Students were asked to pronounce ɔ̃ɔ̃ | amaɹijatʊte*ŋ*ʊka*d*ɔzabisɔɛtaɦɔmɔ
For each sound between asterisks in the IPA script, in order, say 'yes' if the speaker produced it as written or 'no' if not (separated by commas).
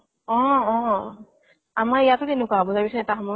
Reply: no, no